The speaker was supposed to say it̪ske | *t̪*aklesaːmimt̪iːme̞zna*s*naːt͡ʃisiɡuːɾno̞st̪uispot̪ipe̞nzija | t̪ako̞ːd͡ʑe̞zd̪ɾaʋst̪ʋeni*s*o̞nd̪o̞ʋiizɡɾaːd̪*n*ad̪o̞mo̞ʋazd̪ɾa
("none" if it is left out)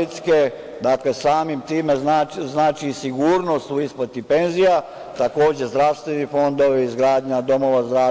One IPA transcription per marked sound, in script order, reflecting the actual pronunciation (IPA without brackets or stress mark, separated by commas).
d̪, z, f, ɲ